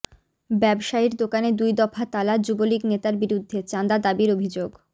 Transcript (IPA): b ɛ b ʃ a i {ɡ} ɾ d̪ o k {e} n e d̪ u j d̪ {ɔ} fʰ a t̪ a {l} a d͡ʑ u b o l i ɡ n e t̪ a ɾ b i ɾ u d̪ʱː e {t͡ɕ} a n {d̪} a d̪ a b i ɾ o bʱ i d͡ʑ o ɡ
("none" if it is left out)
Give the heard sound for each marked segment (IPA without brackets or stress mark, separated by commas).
none, a, ɔ, l, t͡ɕ, d̪